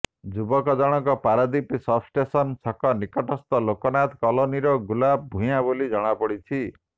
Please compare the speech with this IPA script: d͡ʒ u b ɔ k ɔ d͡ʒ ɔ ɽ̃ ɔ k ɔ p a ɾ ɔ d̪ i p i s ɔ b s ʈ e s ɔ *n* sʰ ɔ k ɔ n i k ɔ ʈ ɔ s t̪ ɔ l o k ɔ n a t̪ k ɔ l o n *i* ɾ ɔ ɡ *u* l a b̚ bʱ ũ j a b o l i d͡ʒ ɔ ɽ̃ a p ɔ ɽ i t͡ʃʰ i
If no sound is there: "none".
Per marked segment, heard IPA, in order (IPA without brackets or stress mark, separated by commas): n, i, u